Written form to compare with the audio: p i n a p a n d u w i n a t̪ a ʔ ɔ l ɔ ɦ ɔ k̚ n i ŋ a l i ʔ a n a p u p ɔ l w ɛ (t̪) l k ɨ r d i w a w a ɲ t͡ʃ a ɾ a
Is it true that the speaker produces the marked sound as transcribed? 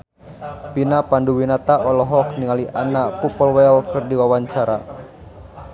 no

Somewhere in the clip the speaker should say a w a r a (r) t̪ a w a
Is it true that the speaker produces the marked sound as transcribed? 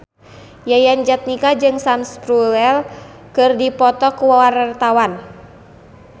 yes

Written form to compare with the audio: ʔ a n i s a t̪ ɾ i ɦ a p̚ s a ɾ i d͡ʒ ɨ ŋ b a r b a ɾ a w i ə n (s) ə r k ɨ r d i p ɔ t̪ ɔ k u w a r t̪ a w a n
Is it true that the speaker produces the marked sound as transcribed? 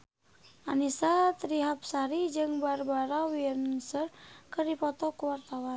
yes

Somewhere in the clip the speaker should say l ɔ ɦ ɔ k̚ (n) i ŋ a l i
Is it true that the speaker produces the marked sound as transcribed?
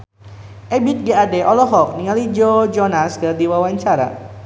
yes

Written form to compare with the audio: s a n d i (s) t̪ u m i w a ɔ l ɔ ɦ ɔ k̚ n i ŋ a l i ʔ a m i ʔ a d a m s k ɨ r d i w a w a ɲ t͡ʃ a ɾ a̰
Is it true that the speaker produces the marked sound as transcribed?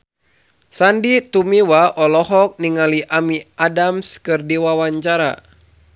no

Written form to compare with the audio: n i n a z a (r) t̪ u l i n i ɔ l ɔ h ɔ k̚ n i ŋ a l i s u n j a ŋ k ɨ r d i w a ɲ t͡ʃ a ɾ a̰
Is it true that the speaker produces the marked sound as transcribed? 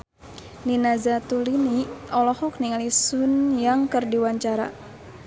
no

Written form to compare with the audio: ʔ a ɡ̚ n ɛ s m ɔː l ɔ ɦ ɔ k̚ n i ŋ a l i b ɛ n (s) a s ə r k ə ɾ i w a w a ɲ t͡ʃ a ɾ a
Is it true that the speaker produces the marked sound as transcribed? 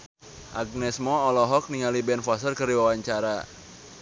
no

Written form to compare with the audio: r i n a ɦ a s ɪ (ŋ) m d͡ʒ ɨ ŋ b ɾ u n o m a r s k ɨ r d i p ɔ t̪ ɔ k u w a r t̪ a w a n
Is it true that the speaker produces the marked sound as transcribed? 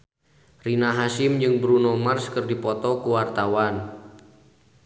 no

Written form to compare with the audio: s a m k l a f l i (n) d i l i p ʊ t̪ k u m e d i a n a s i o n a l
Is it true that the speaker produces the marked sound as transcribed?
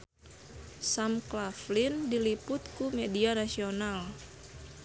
yes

